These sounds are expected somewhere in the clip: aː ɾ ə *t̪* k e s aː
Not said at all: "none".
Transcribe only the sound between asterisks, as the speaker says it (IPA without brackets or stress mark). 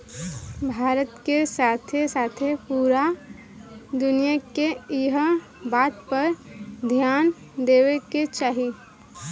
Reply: t̪